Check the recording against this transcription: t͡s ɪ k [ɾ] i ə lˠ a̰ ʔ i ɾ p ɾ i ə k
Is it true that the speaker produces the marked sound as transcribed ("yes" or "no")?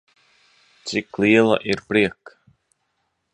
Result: no